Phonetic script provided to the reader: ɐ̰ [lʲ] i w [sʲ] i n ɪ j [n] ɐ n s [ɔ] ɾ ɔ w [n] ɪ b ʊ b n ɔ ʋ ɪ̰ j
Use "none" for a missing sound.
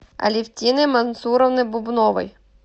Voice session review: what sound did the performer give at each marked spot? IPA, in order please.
lʲ, tʲ, m, u, n

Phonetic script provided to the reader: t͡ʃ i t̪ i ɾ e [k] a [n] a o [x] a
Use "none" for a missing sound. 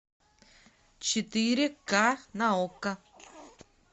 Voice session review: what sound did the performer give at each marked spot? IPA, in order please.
k, n, k

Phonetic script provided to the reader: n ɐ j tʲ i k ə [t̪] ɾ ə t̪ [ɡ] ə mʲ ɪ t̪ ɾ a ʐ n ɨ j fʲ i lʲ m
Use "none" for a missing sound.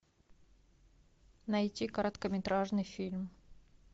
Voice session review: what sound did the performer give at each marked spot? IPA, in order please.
none, k

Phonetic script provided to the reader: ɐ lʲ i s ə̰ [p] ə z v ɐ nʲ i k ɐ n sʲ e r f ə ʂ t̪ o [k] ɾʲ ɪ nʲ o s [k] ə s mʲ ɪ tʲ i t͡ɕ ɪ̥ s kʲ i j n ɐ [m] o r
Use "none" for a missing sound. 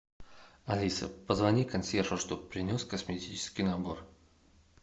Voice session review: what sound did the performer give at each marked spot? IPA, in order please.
p, p, k, b

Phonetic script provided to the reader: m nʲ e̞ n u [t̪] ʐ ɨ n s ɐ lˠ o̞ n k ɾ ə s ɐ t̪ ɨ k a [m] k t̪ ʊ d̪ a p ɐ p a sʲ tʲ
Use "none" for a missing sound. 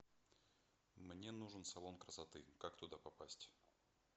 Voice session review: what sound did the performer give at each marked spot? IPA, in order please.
none, none

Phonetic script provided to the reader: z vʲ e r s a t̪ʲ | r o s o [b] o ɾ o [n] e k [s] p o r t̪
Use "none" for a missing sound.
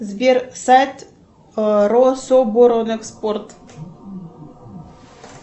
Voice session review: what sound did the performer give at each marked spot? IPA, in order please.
b, n, s

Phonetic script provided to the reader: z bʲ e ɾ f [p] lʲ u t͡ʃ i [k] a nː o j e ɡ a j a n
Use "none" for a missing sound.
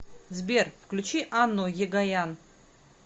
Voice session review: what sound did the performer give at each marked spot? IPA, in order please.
k, ʔ

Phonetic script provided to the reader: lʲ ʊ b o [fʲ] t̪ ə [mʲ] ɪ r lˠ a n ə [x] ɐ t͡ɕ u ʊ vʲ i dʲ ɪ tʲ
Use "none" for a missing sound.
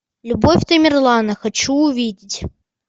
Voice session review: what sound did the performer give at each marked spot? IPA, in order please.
fʲ, mʲ, x

